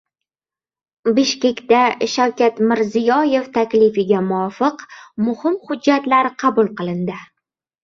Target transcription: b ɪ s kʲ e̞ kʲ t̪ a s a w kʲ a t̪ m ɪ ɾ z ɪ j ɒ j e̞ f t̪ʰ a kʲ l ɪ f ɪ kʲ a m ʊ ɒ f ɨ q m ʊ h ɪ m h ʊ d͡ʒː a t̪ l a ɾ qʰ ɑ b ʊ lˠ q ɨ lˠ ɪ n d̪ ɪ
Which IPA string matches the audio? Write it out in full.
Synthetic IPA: b ɪ ʃ kʲ e̞ kʲ t̪ a ʃ a w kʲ a t̪ m ɪ ɾ z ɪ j ɒ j e̞ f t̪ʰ a kʲ l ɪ f ɪ ɡʲ a m ʊ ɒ f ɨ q m ʊ h ɪ m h ʊ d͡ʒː a t̪ l a ɾ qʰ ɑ b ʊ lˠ q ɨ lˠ ɪ n d̪ ɪ